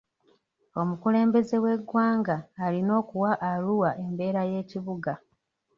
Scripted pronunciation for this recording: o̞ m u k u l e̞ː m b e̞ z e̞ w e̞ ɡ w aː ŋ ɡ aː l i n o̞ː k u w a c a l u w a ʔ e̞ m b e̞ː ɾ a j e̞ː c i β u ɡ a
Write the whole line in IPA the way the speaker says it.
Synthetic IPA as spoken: o̞ m u k u l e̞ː m b e̞ z e̞ w e̞ ɡ w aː ŋ ɡ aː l i n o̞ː k u w a ʔ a l u w a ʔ e̞ m b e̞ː ɾ a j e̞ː c i β u ɡ a